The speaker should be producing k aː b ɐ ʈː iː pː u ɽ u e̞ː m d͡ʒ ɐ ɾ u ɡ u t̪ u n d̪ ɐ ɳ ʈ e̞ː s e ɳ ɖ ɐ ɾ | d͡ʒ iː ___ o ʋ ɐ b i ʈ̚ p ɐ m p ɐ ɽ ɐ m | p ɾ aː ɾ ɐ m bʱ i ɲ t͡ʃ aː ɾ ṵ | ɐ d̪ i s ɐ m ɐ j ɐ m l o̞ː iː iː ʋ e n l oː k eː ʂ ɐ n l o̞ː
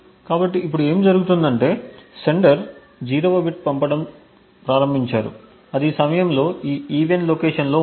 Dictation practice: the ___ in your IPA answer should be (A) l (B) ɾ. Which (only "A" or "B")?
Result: B